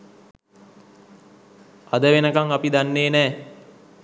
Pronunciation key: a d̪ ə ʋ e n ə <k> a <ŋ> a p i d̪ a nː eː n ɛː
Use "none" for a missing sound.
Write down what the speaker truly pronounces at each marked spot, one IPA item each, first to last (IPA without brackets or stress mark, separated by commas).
k, ŋ